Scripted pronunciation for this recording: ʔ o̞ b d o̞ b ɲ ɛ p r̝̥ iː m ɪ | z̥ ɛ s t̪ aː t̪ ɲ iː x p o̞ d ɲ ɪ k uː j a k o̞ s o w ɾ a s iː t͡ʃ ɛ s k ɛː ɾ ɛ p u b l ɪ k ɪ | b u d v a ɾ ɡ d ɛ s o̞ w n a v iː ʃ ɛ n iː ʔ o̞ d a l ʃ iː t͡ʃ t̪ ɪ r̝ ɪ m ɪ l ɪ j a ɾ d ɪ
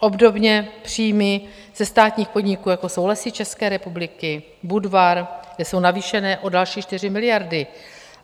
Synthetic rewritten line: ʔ o̞ b d o̞ b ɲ ɛ p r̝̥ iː m ɪ | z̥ ɛ s t̪ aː t̪ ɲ iː x p o̞ d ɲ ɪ k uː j a k o̞ s o w l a s iː t͡ʃ ɛ s k ɛː ɾ ɛ p u b l ɪ k ɪ | b u d v a ɾ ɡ d ɛ s o̞ w n a v iː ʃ ɛ n ɛː ʔ o̞ d a l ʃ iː t͡ʃ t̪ ɪ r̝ ɪ m ɪ l ɪ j a ɾ d ɪ

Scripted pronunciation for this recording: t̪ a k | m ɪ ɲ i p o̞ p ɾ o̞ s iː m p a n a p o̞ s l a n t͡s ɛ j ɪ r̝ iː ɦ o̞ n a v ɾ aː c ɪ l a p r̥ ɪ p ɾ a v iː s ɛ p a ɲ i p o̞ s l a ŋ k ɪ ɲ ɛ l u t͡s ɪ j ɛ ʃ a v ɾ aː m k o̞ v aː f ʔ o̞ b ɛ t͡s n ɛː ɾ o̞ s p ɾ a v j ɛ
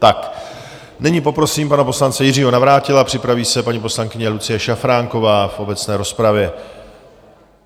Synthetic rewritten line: t̪ a k | n ɪ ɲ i p o̞ p ɾ o̞ s iː m p a n a p o̞ s l a n t͡s ɛ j ɪ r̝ iː ɦ o̞ n a v ɾ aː c ɪ l a p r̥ ɪ p ɾ a v iː s ɛ p a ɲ i p o̞ s l a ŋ k ɪ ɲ ɛ l u t͡s ɪ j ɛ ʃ a f ɾ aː ŋ k o̞ v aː f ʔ o̞ b ɛ t͡s n ɛː ɾ o̞ s p ɾ a v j ɛ

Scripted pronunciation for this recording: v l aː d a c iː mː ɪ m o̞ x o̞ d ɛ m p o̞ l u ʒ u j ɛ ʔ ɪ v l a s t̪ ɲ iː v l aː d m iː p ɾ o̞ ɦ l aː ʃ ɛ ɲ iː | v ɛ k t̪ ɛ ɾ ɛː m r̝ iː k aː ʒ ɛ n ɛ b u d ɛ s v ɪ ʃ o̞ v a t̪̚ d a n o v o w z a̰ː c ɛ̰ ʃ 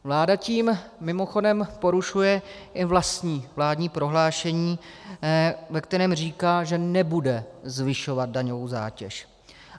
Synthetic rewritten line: v l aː d a c iː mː ɪ m o̞ x o̞ d ɛ m p o̞ ɾ u ʃ u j ɛ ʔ ɪ v l a s t̪ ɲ iː v l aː d ɲ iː p ɾ o̞ ɦ l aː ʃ ɛ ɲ iː | v ɛ k t̪ ɛ ɾ ɛː m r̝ iː k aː ʒ ɛ n ɛ b u d ɛ z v ɪ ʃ o̞ v a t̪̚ d a ɲ o v o w z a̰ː c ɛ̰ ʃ

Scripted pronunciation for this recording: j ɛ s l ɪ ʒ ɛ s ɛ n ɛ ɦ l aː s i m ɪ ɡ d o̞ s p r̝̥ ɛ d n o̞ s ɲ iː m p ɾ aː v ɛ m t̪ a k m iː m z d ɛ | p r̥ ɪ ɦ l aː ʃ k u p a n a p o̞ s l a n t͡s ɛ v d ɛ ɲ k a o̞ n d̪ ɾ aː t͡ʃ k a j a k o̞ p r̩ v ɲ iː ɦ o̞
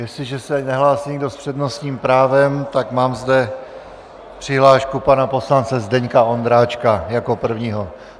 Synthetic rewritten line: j ɛ s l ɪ ʒ ɛ s ɛ n ɛ ɦ l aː s i ɲ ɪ ɡ d o̞ s p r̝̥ ɛ d n o̞ s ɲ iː m p ɾ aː v ɛ m t̪ a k m aː m z d ɛ | p r̥ ɪ ɦ l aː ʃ k u p a n a p o̞ s l a n t͡s ɛ z d ɛ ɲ k a o̞ n d̪ ɾ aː t͡ʃ k a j a k o̞ p r̩ v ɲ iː ɦ o̞

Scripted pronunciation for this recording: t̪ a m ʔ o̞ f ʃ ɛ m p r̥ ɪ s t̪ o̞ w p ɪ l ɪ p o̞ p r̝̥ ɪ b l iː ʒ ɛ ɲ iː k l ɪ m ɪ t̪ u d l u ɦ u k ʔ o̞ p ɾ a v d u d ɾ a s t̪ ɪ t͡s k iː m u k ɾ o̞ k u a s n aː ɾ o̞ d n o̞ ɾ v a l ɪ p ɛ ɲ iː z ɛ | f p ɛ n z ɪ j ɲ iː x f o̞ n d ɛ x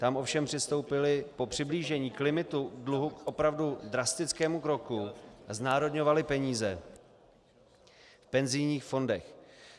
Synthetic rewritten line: t̪ a m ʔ o̞ f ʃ ɛ m p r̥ ɪ s t̪ o̞ w p ɪ l ɪ p o̞ p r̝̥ ɪ b l iː ʒ ɛ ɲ iː k l ɪ m ɪ t̪ u d l u ɦ u k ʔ o̞ p ɾ a v d u d ɾ a s t̪ ɪ t͡s k ɛː m u k ɾ o̞ k u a z n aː ɾ o̞ d ɲ o̞ v a l ɪ p ɛ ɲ iː z ɛ | f p ɛ n z ɪ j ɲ iː x f o̞ n d ɛ x

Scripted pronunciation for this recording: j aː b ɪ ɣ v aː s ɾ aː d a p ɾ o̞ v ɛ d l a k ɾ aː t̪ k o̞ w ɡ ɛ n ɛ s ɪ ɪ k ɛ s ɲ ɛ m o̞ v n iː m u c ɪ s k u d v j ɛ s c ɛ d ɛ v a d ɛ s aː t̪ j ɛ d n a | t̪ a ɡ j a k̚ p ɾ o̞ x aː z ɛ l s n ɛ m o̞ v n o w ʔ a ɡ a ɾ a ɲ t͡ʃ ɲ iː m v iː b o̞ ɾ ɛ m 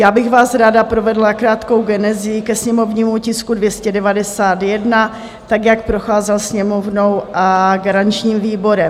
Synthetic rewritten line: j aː b ɪ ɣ v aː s ɾ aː d a p ɾ o̞ v ɛ d l a k ɾ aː t̪ k o̞ w ɡ ɛ n ɛ z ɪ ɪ k ɛ s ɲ ɛ m o̞ v ɲ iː m u c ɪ s k u d v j ɛ s c ɛ d ɛ v a d ɛ s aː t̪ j ɛ d n a | t̪ a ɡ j a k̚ p ɾ o̞ x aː z ɛ l s ɲ ɛ m o̞ v n o w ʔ a ɡ a ɾ a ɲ t͡ʃ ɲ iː m v iː b o̞ ɾ ɛ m

